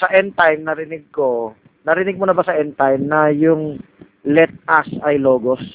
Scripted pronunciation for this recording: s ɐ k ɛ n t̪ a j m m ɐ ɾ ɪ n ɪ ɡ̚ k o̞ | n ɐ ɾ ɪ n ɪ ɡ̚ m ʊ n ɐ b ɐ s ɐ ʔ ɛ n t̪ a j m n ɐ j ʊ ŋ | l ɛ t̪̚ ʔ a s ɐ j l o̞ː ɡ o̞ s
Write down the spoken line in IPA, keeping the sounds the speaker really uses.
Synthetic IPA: s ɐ ʔ ɛ n t̪ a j m n ɐ ɾ ɪ n ɪ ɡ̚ k o̞ | n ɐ ɾ ɪ n ɪ ɡ̚ m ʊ n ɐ b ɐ s ɐ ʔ ɛ n t̪ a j m n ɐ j ʊ ŋ | l ɛ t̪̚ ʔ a s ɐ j l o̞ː ɡ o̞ s